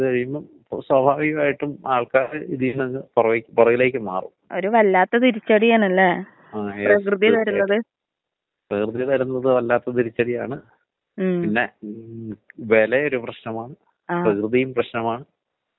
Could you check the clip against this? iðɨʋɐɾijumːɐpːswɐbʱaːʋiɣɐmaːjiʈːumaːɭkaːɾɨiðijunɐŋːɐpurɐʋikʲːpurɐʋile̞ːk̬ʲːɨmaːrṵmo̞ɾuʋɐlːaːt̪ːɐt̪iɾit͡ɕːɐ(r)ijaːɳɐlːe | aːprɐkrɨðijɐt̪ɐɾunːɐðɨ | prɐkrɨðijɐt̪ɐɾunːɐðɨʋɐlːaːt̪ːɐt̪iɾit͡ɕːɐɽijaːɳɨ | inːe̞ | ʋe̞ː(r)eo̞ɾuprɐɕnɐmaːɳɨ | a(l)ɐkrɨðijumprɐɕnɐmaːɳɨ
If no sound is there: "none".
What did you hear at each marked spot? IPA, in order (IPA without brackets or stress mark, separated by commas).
ɽ, l, r